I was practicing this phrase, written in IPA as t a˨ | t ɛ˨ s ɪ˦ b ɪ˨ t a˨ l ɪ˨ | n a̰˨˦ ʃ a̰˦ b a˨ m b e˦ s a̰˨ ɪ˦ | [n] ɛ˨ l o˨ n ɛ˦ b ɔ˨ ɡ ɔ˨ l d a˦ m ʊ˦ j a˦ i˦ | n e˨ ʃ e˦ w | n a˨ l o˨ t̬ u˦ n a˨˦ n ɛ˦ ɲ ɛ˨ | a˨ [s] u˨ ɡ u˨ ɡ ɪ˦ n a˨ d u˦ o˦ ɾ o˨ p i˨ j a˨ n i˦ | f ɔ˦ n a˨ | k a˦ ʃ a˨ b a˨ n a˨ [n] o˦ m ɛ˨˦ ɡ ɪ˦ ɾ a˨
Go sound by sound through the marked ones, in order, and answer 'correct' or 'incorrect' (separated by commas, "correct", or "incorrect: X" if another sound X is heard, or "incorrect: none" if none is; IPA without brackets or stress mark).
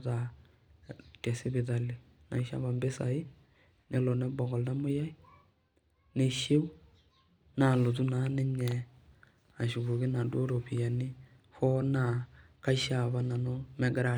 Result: correct, incorrect: ʃ, correct